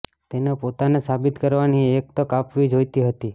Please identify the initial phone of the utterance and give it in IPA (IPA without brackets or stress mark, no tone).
t̪